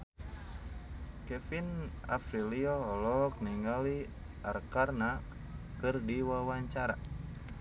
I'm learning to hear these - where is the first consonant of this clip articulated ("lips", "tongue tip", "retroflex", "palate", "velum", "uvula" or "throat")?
velum